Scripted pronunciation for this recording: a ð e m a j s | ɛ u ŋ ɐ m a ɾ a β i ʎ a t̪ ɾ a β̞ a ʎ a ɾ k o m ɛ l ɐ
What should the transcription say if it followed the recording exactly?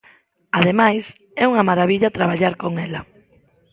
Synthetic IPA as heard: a ð e m a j s | ɛ u ŋ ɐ m a ɾ a β i ʎ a t̪ ɾ a β̞ a ʎ a ɾ k o ŋ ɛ l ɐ